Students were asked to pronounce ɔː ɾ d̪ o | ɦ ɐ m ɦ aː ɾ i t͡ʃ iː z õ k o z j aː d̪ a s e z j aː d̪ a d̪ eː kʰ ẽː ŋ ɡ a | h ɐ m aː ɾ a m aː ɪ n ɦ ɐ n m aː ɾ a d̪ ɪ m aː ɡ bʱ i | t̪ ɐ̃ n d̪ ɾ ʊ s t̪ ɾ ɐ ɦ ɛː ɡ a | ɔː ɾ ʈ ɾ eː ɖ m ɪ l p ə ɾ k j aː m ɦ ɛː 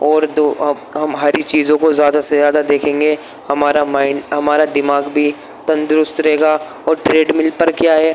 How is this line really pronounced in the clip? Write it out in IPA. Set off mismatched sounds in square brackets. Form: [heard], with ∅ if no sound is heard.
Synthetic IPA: ɔː ɾ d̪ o | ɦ ɐ m ɦ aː ɾ i t͡ʃ iː z õ k o z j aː d̪ a s e z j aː d̪ a d̪ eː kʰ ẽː ŋ ɡ [e] | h ɐ m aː ɾ a m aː ɪ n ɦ ɐ [∅] m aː ɾ a d̪ ɪ m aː ɡ bʱ i | t̪ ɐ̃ n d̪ ɾ ʊ s t̪ ɾ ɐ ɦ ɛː ɡ a | ɔː ɾ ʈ ɾ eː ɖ m ɪ l p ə ɾ k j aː [∅] ɦ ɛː